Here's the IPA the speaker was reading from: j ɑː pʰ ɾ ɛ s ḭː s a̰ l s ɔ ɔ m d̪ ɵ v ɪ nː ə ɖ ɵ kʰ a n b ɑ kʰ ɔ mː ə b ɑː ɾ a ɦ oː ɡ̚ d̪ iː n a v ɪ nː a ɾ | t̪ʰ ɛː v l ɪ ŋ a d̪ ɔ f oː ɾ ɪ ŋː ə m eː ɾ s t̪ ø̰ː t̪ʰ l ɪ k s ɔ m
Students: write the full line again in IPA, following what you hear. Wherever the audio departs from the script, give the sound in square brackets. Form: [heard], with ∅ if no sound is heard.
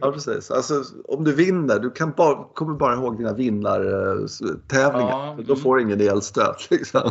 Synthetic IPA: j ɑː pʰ ɾ ɛ s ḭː s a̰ l s ɔ ɔ m d̪ ɵ v ɪ nː ə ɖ ɵ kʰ a n b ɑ kʰ ɔ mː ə b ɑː ɾ a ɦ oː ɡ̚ d̪ iː n a v ɪ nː a ɾ | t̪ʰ ɛː v l ɪ ŋ a d̪ ɔ f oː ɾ ɪ ŋː ə [n] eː [l] s t̪ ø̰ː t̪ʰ l ɪ k s ɔ m